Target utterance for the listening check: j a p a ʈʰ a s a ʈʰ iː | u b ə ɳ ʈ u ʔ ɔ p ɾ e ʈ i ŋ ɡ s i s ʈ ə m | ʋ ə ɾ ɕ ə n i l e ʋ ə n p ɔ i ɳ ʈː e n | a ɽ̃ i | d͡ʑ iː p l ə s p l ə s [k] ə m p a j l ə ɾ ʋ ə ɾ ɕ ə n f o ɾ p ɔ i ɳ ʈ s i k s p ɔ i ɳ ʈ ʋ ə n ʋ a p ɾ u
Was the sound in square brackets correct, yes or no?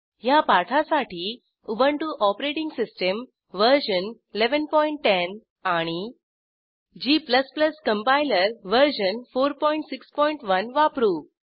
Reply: yes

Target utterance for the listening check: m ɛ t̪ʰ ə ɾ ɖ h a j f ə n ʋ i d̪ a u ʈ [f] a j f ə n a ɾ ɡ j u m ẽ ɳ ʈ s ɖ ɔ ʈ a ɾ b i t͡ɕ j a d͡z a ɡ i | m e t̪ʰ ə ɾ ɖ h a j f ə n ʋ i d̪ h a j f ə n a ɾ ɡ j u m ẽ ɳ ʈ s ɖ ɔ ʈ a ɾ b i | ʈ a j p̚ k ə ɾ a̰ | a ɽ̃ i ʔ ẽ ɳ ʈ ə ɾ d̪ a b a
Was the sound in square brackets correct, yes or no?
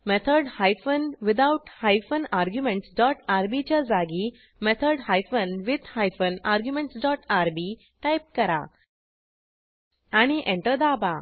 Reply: no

